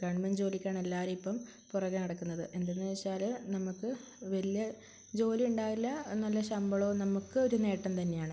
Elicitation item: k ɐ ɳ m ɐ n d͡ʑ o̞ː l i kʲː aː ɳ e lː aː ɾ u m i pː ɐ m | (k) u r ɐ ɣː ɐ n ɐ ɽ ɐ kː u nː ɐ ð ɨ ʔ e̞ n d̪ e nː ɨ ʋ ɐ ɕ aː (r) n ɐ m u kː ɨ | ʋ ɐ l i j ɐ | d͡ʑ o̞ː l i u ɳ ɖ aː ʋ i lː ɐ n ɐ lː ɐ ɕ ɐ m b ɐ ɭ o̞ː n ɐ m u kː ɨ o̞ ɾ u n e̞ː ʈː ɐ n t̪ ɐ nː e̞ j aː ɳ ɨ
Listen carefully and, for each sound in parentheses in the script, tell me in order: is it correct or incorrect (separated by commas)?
incorrect, incorrect